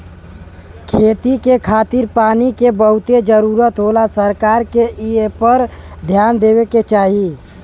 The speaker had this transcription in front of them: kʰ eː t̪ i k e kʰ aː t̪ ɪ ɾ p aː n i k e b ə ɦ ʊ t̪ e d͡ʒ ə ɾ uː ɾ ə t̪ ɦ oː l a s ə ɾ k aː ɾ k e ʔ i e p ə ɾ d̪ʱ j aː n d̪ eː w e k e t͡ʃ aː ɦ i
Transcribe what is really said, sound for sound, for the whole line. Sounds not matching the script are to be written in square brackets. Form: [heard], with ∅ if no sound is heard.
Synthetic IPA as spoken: kʰ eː t̪ i k e kʰ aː t̪ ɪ ɾ p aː n i k e b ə ɦ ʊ t̪ e d͡ʒ ə ɾ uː ɾ ə t̪ ɦ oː l a s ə ɾ k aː ɾ k e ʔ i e p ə ɾ d̪ʱ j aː n d̪ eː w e k e t͡ʃ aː ɦ i